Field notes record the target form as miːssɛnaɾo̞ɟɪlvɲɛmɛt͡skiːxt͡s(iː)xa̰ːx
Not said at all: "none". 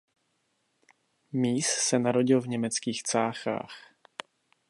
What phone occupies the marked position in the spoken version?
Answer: aː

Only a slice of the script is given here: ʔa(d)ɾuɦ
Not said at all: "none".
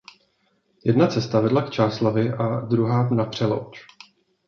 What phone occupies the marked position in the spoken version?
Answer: d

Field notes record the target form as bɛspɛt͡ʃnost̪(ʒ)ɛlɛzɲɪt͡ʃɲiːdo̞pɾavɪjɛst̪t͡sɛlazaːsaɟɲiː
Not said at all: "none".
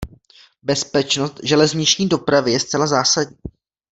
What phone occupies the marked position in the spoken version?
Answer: ʒ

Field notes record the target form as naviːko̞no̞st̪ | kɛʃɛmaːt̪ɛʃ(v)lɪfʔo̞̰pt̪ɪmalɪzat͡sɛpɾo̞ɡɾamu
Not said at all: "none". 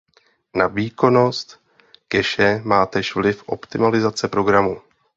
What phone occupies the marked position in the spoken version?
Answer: v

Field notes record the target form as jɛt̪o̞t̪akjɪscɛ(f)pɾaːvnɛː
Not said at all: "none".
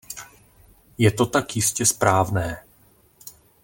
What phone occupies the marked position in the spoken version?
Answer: s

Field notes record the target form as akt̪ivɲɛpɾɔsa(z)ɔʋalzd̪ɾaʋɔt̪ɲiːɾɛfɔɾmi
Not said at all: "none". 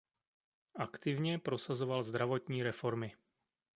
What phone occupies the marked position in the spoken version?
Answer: z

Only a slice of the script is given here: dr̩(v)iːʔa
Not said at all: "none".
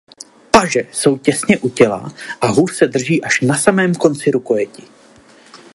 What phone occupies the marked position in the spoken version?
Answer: ʒ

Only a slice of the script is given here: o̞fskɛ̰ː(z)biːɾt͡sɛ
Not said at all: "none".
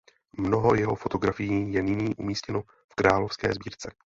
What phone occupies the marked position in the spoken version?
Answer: z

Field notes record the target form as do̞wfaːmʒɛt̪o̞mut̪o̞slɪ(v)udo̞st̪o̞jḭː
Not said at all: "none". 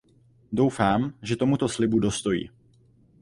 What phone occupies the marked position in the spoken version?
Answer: b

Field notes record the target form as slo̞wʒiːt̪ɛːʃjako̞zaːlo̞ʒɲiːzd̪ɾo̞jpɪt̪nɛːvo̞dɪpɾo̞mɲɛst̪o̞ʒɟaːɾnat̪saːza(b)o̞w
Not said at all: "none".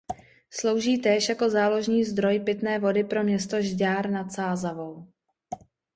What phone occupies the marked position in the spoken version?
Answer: v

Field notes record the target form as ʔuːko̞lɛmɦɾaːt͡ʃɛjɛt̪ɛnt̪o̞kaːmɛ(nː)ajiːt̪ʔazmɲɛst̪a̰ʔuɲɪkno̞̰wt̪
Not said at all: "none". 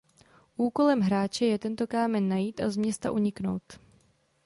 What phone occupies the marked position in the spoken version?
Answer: nː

